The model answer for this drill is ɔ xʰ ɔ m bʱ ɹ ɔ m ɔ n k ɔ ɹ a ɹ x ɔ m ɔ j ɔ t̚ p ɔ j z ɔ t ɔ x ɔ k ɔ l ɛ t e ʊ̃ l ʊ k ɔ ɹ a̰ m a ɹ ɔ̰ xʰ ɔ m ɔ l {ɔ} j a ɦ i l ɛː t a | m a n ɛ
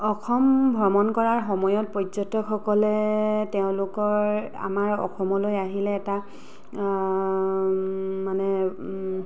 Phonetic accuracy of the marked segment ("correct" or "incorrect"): incorrect